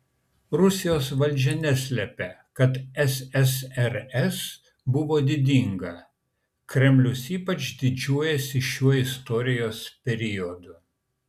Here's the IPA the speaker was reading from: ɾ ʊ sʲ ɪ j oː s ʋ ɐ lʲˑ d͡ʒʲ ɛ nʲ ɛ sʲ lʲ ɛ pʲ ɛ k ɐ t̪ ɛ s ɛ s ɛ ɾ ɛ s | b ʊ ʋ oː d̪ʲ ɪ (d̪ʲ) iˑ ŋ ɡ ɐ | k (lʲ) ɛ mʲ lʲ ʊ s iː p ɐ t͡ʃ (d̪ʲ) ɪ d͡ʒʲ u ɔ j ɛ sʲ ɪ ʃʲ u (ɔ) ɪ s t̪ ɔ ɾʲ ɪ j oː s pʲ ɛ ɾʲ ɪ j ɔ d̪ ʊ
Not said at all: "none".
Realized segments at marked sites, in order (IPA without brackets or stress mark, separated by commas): d̪ʲ, ɾʲ, d̪ʲ, ɔ